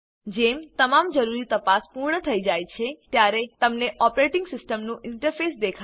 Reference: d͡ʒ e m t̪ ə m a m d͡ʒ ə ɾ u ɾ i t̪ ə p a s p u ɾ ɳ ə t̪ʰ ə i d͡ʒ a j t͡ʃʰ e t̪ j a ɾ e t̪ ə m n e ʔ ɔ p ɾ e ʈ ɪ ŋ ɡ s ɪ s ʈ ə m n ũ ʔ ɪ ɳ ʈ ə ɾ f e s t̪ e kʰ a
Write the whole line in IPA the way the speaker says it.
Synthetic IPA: d͡ʒ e m t̪ ə m a m d͡ʒ ə ɾ u ɾ i t̪ ə p a s p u ɾ ɳ ə t̪ʰ ə i d͡ʒ a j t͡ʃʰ e t̪ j a ɾ e t̪ ə m n e ʔ ɔ p ɾ e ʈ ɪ ŋ ɡ s ɪ s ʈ ə m n ũ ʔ ɪ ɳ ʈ ə ɾ f e s d̪ e kʰ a